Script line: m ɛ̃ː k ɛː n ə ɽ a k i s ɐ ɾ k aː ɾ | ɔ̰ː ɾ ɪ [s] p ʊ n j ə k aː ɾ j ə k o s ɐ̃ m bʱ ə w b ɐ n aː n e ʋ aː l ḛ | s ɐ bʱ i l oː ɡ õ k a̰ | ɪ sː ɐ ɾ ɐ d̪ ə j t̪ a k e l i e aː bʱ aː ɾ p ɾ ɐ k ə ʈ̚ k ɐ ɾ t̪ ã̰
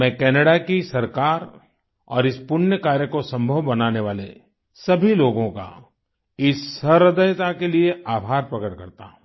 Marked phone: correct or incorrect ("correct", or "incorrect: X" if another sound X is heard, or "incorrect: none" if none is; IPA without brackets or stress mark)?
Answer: correct